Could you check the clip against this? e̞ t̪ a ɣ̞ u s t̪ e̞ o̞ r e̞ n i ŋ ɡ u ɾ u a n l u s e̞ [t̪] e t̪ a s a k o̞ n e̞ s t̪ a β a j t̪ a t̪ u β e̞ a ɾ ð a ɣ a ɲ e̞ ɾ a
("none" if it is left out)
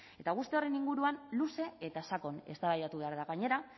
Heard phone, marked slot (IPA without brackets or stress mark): none